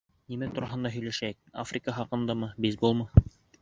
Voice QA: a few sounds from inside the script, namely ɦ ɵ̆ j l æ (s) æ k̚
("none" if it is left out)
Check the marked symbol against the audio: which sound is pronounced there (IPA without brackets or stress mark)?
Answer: ʃ